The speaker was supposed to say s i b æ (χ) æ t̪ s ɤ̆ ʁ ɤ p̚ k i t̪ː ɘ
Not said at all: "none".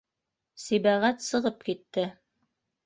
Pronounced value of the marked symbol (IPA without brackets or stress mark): ʁ